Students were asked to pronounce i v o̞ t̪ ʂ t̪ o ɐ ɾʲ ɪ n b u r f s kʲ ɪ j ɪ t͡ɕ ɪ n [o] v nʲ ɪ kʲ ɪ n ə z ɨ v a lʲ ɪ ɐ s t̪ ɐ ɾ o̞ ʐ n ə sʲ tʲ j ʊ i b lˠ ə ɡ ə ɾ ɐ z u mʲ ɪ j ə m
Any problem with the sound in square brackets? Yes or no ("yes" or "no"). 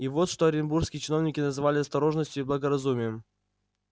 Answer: no